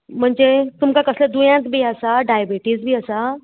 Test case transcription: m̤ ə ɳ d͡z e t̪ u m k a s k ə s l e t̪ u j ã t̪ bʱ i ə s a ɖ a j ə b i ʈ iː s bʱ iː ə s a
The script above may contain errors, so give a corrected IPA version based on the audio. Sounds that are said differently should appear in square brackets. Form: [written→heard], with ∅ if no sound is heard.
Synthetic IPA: m̤ ə ɳ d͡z e t̪ u m k a [s→∅] k ə s l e [t̪→d̪] u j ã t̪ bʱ [i→iː] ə s a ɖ a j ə b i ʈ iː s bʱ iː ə s a